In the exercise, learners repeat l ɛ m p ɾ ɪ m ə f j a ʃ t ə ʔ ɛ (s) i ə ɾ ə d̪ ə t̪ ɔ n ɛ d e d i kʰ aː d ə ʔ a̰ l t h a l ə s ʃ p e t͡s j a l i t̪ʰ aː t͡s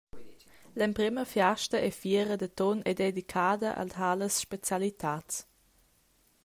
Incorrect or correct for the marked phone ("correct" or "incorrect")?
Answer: incorrect